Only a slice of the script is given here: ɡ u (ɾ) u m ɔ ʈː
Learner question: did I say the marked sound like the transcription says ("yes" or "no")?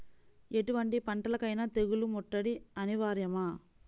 no